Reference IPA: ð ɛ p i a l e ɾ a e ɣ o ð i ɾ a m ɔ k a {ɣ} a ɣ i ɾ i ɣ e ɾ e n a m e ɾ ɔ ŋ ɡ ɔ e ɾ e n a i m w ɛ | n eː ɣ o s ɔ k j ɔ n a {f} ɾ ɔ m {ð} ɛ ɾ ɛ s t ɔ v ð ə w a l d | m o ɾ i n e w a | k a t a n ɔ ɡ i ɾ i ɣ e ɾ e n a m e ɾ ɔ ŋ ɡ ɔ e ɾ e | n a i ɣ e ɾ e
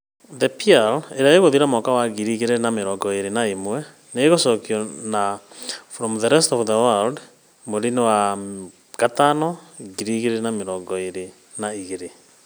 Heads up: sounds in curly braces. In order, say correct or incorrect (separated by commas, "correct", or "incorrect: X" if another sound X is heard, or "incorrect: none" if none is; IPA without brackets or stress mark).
incorrect: w, correct, correct